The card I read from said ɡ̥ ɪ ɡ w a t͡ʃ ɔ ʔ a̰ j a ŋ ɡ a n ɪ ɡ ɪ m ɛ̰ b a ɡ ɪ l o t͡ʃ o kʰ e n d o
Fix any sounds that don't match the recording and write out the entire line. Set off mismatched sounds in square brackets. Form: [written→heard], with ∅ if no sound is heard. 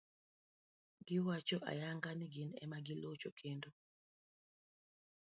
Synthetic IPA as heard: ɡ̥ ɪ [ɡ→∅] w a t͡ʃ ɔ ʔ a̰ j a ŋ ɡ a n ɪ ɡ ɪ [m→n] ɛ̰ [b→m] a ɡ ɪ l o t͡ʃ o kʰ e n d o